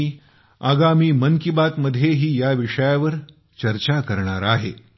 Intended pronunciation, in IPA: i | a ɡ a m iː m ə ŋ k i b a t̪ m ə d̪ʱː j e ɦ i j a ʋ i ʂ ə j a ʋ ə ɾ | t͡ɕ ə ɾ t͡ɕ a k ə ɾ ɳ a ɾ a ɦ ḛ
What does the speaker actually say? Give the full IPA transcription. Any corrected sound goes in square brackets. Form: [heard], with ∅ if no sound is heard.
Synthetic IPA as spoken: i | a ɡ a m iː m ə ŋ k i b a t̪ m ə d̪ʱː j e ɦ [iː] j a ʋ i ʂ ə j a ʋ ə ɾ | t͡ɕ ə ɾ t͡ɕ a k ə ɾ ɳ a ɾ a ɦ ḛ